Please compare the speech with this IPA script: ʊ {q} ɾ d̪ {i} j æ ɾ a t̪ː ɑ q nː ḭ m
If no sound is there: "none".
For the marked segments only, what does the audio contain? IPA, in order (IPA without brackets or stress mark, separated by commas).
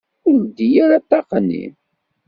none, i